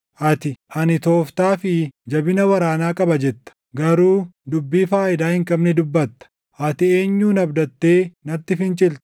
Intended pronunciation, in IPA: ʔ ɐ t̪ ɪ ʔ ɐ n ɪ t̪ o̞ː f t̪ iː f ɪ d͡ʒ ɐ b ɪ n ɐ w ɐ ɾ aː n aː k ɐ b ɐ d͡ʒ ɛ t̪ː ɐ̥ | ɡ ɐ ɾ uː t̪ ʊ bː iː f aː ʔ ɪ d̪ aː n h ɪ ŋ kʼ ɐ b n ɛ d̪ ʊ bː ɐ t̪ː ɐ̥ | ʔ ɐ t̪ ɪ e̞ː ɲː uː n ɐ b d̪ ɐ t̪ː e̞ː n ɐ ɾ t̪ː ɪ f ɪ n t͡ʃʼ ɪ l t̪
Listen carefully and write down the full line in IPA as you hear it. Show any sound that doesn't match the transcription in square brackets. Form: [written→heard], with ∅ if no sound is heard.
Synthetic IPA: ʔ ɐ t̪ ɪ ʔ ɐ n ɪ t̪ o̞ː f t̪ [iː→aː] f ɪ d͡ʒ ɐ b ɪ n ɐ w ɐ ɾ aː n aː [k→kʼ] ɐ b ɐ d͡ʒ ɛ t̪ː ɐ̥ | ɡ ɐ ɾ uː [t̪→d̪] ʊ bː iː f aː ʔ ɪ d̪ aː [n→∅] h ɪ ŋ kʼ ɐ b n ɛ d̪ ʊ bː ɐ t̪ː ɐ̥ | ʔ ɐ t̪ ɪ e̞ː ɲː uː n ɐ b d̪ ɐ t̪ː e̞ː n ɐ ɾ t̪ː ɪ f ɪ n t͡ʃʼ ɪ l t̪

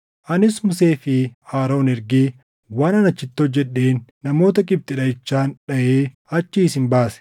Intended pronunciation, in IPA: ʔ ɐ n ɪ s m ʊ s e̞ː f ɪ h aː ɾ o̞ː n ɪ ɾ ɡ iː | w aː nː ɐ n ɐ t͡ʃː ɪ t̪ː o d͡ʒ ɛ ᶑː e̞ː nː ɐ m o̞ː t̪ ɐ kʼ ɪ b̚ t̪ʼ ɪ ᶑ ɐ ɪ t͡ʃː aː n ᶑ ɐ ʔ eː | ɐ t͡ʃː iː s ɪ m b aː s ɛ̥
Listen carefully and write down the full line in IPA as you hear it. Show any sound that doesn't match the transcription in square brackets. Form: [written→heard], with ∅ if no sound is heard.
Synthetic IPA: ʔ ɐ n ɪ s m ʊ s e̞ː f ɪ h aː ɾ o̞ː n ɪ ɾ ɡ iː | w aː [nː→n] ɐ n ɐ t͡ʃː ɪ t̪ː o d͡ʒ ɛ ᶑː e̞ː nː ɐ m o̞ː t̪ ɐ kʼ ɪ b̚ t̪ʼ ɪ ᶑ ɐ ɪ t͡ʃː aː n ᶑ ɐ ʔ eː | ɐ t͡ʃː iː s ɪ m b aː s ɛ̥

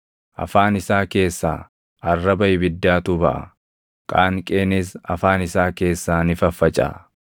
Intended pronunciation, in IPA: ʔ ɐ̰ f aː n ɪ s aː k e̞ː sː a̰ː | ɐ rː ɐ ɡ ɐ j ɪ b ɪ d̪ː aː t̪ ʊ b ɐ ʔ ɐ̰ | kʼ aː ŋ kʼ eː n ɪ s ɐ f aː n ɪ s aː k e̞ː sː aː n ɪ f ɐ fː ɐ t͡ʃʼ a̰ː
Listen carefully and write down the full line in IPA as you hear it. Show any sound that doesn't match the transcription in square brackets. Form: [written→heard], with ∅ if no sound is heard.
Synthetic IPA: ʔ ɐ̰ f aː n ɪ s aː k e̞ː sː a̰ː | ɐ rː ɐ [ɡ→b] ɐ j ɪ b ɪ d̪ː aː t̪ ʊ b ɐ ʔ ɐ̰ | kʼ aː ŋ kʼ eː n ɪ s ɐ f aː n ɪ s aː k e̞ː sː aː n ɪ f ɐ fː ɐ t͡ʃʼ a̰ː

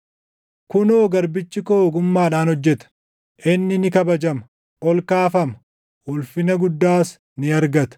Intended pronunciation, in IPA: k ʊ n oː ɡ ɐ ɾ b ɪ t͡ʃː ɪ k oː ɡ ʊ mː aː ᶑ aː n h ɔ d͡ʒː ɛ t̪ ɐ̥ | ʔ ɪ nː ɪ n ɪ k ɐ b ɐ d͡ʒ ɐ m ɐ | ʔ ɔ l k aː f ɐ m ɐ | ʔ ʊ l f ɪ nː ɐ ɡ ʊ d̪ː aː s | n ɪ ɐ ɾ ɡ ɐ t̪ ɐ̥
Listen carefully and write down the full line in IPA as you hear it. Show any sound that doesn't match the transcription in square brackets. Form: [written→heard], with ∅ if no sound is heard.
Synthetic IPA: k ʊ n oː ɡ ɐ ɾ b ɪ t͡ʃː ɪ k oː ɡ ʊ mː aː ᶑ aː n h ɔ d͡ʒː ɛ t̪ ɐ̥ | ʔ ɪ nː ɪ n ɪ k ɐ b ɐ d͡ʒ ɐ m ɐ | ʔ ɔ l k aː f ɐ m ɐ | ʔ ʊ l f ɪ [nː→n] ɐ ɡ ʊ d̪ː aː s | n ɪ ɐ ɾ ɡ ɐ t̪ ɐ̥

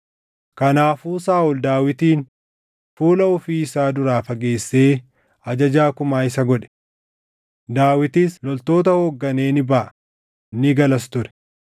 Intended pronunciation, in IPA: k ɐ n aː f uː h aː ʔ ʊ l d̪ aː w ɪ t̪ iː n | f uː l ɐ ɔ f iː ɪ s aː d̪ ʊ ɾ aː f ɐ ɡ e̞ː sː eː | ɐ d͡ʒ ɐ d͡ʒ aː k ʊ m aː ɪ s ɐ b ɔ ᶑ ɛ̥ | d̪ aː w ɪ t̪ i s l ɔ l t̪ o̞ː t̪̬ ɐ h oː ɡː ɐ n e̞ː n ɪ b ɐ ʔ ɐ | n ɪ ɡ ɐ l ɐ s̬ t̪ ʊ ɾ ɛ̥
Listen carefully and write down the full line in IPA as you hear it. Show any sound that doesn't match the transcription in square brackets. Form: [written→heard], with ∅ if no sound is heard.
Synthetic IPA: k ɐ n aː f uː [h→s] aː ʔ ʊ l d̪ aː w ɪ t̪ iː n | f uː l ɐ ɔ f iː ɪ s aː d̪ ʊ ɾ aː f ɐ ɡ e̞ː sː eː | ɐ d͡ʒ ɐ d͡ʒ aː k ʊ m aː ɪ s ɐ [b→ɡ] ɔ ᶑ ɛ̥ | d̪ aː w ɪ t̪ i s l ɔ l t̪ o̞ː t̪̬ ɐ h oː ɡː ɐ n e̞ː n ɪ b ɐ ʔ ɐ | n ɪ ɡ ɐ l ɐ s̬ t̪ ʊ ɾ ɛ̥

